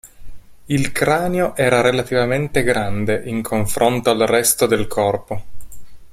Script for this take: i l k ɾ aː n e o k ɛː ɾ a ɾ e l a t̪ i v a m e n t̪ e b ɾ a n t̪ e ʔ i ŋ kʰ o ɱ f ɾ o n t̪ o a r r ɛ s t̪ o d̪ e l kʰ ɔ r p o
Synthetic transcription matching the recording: i l k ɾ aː n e o ʔ ɛː ɾ a ɾ e l a t̪ i v a m e n t̪ e ɡ ɾ a n d̪ e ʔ i ŋ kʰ o ɱ f ɾ o n t̪ o a l r ɛ s t̪ o d̪ e l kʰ ɔ r p o